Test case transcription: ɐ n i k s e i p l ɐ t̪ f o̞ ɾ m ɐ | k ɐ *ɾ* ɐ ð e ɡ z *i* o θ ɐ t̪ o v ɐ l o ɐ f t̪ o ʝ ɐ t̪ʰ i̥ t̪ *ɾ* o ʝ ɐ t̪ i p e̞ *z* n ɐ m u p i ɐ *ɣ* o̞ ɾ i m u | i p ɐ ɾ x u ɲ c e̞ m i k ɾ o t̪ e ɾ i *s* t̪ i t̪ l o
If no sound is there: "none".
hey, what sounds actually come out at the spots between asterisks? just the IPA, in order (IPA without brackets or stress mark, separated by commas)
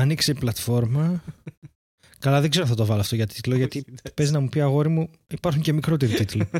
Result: l, e, l, z, ɣ, none